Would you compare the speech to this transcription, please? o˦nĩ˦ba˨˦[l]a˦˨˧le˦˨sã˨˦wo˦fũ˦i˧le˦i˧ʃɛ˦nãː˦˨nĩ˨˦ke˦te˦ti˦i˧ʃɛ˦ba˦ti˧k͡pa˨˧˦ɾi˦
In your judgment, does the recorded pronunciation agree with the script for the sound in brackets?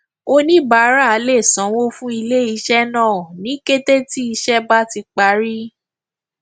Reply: no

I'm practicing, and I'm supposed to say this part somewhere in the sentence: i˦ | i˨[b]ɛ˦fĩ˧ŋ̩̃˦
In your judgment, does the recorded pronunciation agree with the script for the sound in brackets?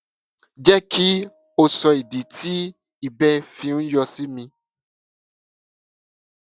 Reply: yes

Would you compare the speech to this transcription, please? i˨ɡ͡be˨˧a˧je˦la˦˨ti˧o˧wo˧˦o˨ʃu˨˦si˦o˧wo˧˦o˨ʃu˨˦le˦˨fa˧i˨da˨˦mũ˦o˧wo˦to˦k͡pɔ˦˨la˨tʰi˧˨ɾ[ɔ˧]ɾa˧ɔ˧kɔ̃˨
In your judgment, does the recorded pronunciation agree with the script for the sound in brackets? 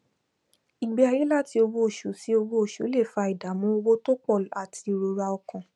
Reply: no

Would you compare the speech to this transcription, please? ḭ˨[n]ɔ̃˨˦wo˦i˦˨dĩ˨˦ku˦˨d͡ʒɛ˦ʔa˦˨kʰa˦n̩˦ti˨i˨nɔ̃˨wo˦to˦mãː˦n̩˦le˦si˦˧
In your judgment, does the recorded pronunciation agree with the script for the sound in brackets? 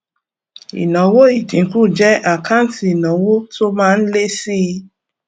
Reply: yes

